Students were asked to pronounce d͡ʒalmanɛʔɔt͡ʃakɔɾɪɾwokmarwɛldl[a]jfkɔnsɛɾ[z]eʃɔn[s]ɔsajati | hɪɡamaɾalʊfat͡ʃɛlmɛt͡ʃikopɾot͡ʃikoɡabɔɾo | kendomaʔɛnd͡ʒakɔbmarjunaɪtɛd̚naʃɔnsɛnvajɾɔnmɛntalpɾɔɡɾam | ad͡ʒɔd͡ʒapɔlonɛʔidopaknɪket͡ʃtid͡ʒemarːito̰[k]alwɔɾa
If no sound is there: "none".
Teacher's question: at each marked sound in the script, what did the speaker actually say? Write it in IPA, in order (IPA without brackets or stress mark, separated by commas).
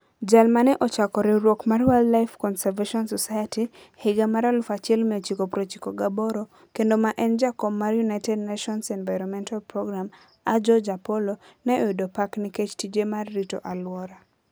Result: a, v, s, ʔ